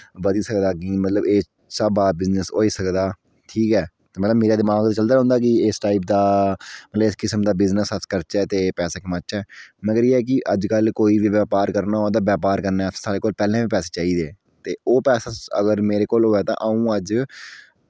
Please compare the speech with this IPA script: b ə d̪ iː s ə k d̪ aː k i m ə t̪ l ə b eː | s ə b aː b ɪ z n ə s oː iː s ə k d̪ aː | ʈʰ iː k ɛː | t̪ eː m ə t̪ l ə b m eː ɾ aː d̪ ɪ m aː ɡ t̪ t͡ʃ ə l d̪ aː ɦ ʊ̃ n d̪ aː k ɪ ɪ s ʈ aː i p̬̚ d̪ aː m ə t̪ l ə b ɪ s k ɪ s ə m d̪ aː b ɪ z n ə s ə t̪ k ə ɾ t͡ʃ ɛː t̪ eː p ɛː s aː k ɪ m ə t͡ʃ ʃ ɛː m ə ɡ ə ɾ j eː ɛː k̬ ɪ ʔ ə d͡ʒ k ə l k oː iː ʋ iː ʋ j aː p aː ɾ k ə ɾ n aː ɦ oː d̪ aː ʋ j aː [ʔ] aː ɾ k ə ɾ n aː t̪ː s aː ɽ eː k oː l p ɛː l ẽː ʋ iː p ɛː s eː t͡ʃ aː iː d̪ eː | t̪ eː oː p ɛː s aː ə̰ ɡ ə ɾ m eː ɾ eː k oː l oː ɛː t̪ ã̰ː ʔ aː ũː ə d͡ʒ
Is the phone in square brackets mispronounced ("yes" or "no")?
yes